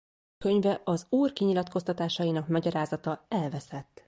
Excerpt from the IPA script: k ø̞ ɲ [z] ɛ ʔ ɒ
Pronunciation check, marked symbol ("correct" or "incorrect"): incorrect